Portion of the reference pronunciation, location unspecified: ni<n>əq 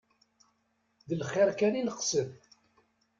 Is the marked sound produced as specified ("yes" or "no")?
yes